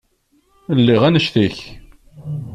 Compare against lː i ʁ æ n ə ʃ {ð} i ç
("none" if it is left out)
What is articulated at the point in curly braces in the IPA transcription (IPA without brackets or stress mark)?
θ